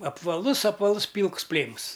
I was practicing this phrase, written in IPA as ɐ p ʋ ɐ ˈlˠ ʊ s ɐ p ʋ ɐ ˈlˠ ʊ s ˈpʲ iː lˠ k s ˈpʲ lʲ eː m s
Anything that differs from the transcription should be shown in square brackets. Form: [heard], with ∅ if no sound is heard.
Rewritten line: ɐ p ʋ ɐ ˈlˠ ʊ s ɐ p ʋ ɐ ˈlˠ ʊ s ˈpʲ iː lˠ k s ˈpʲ lʲ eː m s